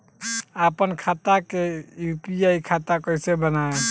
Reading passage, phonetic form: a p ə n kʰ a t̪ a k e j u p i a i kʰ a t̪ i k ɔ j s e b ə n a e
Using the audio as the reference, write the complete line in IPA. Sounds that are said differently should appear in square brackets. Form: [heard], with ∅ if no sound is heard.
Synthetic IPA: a p ə n kʰ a t̪ a k e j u p i a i kʰ a t̪ [a] k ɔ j s e b ə n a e